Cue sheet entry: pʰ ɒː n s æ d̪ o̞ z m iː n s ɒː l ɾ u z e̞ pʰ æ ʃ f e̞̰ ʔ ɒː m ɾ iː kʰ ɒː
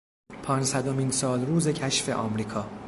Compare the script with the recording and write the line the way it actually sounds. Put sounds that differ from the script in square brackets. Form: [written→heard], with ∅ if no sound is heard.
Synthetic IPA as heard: pʰ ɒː n s æ d̪ o̞ [z→∅] m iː n s ɒː l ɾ [u→uː] z e̞ [pʰ→cʰ] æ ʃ f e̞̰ ʔ ɒː m ɾ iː kʰ ɒː